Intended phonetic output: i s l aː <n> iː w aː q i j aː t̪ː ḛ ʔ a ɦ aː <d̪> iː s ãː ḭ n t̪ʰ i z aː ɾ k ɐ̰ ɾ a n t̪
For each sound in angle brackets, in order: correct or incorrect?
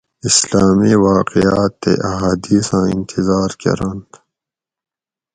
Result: incorrect, correct

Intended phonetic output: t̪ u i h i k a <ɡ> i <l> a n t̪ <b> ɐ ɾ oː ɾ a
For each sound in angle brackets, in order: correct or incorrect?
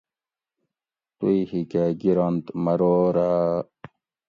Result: correct, incorrect, incorrect

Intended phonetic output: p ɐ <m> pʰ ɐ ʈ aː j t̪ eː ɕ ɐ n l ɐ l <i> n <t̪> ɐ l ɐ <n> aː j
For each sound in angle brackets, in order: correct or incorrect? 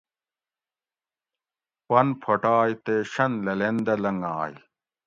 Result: incorrect, incorrect, incorrect, incorrect

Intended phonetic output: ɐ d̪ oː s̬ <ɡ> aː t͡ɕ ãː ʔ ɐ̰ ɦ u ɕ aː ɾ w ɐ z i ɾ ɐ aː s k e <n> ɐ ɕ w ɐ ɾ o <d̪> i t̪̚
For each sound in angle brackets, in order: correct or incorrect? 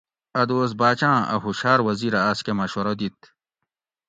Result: incorrect, incorrect, correct

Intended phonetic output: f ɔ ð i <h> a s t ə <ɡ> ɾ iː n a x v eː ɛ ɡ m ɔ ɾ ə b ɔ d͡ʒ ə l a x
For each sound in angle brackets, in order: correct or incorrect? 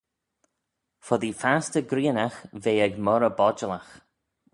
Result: incorrect, correct

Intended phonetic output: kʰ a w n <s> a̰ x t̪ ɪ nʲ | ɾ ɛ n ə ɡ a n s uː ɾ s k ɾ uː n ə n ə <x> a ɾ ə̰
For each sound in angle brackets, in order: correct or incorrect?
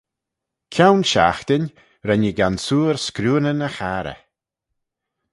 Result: incorrect, correct

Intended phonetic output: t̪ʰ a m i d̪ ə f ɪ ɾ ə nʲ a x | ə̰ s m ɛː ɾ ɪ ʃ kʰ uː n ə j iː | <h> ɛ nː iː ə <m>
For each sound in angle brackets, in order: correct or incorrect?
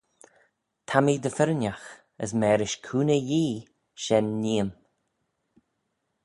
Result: incorrect, correct

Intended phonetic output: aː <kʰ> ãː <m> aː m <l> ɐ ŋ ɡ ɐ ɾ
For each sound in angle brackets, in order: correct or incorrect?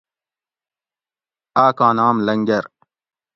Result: incorrect, incorrect, correct

